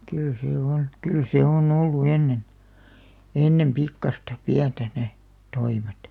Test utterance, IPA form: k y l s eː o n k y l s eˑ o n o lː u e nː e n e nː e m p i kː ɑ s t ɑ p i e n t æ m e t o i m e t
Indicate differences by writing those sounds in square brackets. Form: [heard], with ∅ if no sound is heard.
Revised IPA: k y l s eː o n k y l s eˑ o n o lː u e nː e n e nː e m p i kː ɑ s t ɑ p i [æ] n t æ [n] e t o i m e t